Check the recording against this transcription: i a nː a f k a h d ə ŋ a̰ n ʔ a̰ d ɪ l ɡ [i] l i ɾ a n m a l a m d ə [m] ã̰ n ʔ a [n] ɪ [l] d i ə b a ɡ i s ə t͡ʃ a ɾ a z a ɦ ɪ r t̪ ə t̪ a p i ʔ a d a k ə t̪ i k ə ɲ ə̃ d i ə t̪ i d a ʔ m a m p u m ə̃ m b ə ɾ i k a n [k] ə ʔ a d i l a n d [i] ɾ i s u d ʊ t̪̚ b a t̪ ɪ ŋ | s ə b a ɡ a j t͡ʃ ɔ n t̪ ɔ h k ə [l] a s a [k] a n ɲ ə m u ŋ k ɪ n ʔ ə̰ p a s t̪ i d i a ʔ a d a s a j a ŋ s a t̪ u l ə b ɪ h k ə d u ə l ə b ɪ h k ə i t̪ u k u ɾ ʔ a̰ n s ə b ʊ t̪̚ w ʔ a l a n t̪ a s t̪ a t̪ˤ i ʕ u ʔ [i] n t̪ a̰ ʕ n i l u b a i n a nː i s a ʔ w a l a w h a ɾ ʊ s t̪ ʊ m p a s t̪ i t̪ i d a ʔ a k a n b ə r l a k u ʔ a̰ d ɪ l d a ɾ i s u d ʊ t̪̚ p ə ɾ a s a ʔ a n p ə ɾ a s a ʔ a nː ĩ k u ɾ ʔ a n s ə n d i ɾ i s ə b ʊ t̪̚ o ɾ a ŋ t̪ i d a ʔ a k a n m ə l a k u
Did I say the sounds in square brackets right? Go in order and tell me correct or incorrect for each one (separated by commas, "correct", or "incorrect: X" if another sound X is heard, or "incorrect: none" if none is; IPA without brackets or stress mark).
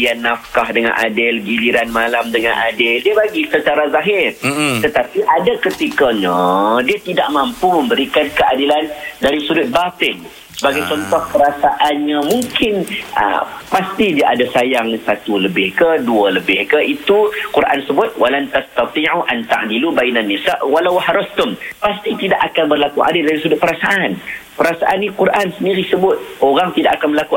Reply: correct, incorrect: ŋ, incorrect: d, correct, correct, incorrect: a, incorrect: ɾ, incorrect: ʔ, incorrect: a